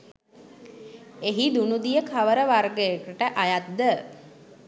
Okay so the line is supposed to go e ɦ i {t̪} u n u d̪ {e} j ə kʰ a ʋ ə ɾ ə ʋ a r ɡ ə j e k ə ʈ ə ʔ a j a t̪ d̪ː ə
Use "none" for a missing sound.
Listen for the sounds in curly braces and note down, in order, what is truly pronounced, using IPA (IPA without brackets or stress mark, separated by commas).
d̪, i